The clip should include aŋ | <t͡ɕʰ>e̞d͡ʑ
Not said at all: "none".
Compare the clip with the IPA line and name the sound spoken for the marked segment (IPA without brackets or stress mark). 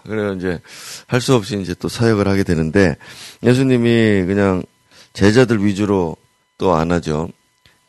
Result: t͡ɕ